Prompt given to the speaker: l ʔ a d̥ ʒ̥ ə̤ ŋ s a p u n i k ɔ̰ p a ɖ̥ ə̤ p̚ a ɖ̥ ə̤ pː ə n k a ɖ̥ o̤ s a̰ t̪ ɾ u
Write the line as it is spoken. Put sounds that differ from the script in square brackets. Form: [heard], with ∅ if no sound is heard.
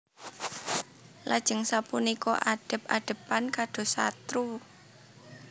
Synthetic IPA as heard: l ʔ a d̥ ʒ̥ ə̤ ŋ s a p u n i k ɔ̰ [ʔ] a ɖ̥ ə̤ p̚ a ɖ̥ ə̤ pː [a] n k a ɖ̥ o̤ s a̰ t̪ ɾ u